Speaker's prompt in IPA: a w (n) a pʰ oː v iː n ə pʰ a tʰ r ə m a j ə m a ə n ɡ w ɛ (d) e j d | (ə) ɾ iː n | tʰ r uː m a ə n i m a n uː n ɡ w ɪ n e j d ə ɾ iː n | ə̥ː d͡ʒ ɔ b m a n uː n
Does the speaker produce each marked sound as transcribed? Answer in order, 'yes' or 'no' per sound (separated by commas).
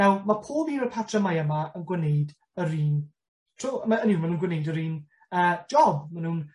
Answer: no, no, yes